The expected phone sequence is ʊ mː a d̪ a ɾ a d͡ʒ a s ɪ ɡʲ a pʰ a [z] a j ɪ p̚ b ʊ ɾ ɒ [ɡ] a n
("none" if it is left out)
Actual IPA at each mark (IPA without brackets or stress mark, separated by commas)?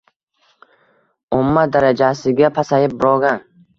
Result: s, ɡ